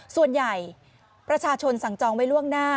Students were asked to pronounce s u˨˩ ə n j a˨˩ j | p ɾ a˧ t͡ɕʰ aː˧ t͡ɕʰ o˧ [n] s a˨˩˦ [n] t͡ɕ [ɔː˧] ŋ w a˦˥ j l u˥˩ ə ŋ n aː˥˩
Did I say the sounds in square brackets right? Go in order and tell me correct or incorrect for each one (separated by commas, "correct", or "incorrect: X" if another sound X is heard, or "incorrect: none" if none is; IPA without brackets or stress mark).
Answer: correct, incorrect: ŋ, correct